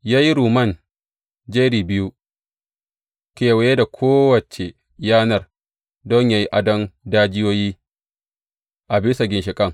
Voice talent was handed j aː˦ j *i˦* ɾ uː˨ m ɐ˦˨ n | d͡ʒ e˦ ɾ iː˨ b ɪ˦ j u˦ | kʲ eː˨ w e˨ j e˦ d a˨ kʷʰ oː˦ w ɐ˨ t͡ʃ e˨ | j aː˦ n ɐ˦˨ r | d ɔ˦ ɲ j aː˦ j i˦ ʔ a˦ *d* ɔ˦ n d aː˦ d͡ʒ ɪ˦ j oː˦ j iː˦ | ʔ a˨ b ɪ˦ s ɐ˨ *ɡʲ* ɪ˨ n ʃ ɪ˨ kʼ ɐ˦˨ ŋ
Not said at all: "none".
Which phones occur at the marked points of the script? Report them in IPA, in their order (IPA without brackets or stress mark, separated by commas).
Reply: i˦, d, ɡʲ